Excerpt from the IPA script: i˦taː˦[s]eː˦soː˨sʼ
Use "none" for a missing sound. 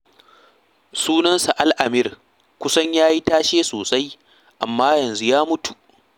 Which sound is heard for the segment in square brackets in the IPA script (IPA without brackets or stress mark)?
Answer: ʃ